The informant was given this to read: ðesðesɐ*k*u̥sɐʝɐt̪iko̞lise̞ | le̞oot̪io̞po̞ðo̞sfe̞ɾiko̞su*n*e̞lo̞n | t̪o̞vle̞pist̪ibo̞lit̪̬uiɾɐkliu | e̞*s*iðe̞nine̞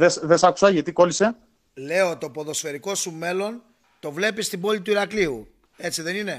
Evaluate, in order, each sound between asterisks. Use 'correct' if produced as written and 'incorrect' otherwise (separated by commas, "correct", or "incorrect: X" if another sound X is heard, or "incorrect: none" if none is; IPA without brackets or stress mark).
correct, incorrect: m, incorrect: t͡s